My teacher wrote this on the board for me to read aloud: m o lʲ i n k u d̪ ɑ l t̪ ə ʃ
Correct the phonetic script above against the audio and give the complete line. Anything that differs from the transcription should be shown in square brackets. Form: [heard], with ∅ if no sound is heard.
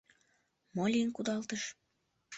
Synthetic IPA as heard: m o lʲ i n k u d̪ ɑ l t̪ ə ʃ